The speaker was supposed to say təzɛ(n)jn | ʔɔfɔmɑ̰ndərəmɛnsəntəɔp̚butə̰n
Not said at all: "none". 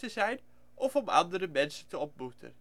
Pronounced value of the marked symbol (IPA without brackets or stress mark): none